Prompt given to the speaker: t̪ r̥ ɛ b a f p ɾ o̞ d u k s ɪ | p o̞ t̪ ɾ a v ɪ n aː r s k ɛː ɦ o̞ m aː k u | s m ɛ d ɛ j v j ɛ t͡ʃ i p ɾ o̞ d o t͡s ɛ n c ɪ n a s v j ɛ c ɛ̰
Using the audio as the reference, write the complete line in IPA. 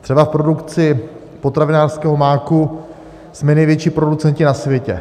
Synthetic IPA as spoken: t̪ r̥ ɛ b a f p ɾ o̞ d u k t͡s ɪ | p o̞ t̪ ɾ a v ɪ n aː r s k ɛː ɦ o̞ m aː k u | s m ɛ n ɛ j v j ɛ t͡ʃ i p ɾ o̞ d u t͡s ɛ n c ɪ n a s v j ɛ c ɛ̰